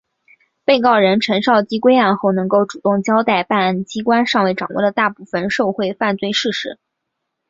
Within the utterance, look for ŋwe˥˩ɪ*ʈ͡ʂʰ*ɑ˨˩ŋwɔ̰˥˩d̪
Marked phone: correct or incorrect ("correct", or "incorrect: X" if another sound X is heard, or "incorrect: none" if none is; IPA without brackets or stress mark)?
incorrect: ʈ͡ʂ